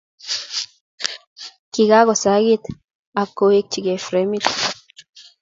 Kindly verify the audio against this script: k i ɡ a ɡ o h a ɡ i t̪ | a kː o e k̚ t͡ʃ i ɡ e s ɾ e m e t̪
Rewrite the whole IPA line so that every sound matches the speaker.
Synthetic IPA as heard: k i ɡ a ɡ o s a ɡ i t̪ | a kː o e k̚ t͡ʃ i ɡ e f ɾ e m i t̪